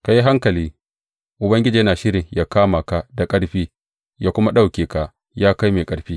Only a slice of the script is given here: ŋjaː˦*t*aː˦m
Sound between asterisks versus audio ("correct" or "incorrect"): incorrect